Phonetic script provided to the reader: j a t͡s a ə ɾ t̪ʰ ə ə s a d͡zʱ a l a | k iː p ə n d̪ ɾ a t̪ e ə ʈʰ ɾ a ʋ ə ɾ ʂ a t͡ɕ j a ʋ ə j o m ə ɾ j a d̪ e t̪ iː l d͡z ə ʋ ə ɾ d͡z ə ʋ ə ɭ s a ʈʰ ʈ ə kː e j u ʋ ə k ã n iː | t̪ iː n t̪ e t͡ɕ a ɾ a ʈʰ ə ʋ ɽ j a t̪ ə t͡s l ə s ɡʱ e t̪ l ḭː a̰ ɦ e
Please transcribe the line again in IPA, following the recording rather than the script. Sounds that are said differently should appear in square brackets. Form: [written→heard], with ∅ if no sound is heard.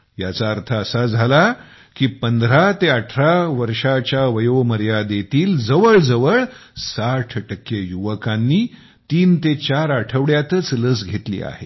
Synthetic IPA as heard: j a t͡s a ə ɾ t̪ʰ ə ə s a d͡zʱ a l a | k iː p ə n d̪ ɾ a t̪ e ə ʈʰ ɾ a ʋ ə ɾ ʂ a t͡ɕ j a ʋ ə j o m ə ɾ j a d̪ e t̪ iː l d͡z ə ʋ ə [ɾ→ɭ] d͡z ə ʋ ə ɭ s a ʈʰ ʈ ə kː e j u ʋ ə k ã [n→nː] iː | t̪ iː n t̪ e t͡ɕ a ɾ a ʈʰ ə ʋ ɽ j a t̪ ə t͡s l ə s ɡʱ e t̪ l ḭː a̰ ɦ e